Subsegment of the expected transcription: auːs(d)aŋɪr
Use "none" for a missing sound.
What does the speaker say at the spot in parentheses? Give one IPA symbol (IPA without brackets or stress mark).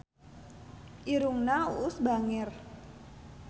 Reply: b